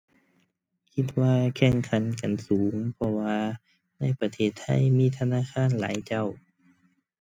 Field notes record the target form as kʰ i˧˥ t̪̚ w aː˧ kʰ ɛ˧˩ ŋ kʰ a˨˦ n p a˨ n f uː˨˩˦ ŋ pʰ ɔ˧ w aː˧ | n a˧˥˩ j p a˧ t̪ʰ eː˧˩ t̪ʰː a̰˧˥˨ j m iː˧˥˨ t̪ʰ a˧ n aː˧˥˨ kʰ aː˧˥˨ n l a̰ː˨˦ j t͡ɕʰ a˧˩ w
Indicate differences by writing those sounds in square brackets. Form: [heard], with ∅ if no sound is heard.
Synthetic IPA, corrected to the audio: kʰ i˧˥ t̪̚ w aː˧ kʰ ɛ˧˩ ŋ kʰ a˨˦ n [k] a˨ n [s] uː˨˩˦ ŋ pʰ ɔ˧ w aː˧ | n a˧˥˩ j p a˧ t̪ʰ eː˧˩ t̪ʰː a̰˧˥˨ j m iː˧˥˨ t̪ʰ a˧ n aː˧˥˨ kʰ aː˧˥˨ n l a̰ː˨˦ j [t͡ɕ] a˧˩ w